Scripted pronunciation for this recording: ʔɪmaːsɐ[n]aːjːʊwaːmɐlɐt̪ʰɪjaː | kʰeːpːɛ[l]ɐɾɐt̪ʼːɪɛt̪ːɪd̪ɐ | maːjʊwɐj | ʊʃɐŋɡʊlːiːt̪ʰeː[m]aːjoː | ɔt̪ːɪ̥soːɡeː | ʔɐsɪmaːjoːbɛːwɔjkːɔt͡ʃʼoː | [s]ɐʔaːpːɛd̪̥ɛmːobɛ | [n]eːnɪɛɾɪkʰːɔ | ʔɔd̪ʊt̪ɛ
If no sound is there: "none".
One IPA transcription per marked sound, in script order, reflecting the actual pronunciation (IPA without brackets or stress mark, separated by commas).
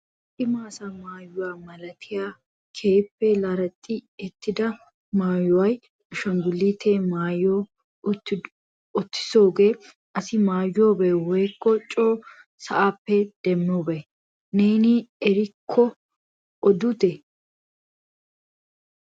m, l, m, s, n